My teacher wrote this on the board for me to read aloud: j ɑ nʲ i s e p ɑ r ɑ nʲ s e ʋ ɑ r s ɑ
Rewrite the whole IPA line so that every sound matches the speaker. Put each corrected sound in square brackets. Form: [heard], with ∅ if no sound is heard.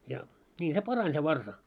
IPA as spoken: j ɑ nʲ [iː] s e p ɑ r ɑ nʲ s e ʋ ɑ r s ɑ